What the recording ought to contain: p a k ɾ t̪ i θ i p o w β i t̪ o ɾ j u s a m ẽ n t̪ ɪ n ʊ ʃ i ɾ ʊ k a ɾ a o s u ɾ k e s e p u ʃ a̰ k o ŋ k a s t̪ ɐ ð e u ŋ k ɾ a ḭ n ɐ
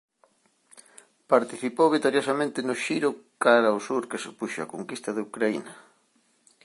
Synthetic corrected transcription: p a ɾ t̪ i θ i p o w β i t̪ o ɾ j o s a m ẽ n t̪ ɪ n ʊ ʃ i ɾ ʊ k a ɾ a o s u ɾ k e s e p u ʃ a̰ k o ŋ k i s t̪ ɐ ð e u k ɾ a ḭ n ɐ